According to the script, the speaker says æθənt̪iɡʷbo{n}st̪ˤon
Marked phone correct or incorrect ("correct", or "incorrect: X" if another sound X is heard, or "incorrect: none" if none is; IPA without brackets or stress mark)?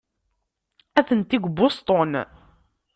incorrect: none